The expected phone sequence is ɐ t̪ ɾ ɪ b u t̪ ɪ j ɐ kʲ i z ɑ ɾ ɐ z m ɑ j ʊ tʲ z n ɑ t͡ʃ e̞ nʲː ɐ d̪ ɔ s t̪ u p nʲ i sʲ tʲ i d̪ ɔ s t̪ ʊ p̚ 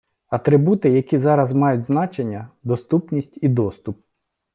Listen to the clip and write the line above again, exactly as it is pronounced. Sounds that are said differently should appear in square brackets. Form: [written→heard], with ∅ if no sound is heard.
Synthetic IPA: ɐ t̪ ɾ ɪ b u t̪ ɪ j ɐ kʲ i z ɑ ɾ ɐ z m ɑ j ʊ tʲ z n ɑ t͡ʃ e̞ nʲː ɐ d̪ ɔ s t̪ u p nʲ i sʲ tʲ i d̪ ɔ s t̪ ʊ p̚